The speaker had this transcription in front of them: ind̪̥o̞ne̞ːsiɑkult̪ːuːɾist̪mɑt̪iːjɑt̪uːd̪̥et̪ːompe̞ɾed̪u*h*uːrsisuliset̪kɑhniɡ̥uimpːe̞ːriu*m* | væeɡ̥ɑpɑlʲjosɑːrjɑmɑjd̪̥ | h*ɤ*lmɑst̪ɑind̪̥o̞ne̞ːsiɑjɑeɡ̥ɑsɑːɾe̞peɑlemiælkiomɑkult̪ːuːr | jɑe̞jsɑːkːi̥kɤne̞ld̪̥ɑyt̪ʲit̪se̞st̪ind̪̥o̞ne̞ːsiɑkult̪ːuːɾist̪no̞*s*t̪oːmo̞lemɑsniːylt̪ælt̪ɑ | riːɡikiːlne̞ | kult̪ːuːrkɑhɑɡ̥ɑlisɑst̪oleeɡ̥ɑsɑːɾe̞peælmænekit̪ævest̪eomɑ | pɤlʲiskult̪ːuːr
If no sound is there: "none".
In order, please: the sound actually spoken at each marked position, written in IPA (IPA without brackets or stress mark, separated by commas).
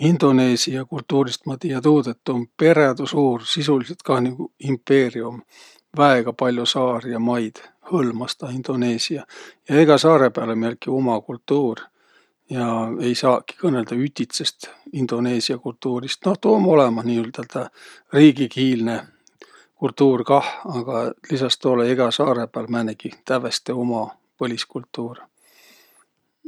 s, m, ɤ, h